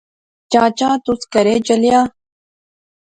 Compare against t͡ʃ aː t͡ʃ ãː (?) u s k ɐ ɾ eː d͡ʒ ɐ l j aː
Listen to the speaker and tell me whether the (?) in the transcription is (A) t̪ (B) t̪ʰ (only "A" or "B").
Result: A